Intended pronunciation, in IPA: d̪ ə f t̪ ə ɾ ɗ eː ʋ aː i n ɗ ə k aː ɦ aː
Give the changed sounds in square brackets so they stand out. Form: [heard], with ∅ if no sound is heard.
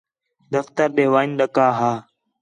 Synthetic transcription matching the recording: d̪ ə f t̪ ə ɾ ɗ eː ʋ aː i n ɗ ə k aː ɦ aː